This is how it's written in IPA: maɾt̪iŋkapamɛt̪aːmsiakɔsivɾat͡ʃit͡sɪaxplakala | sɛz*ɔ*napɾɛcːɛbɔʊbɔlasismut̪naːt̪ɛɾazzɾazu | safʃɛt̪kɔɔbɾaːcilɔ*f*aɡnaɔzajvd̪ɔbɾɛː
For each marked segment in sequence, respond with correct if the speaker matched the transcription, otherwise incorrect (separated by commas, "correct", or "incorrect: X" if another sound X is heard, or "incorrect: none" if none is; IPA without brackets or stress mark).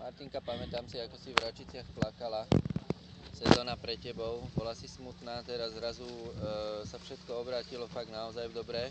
incorrect: ɔː, correct